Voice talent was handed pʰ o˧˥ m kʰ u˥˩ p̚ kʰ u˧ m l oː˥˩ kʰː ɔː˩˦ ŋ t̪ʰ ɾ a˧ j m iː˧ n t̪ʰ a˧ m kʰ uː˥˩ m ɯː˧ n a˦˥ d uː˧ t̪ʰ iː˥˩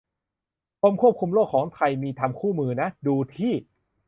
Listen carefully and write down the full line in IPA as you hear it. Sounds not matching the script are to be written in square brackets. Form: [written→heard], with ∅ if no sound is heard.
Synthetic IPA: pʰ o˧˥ m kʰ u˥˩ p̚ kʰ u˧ m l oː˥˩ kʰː ɔː˩˦ ŋ t̪ʰ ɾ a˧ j m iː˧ [n→∅] t̪ʰ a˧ m kʰ uː˥˩ m ɯː˧ n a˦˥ d uː˧ t̪ʰ iː˥˩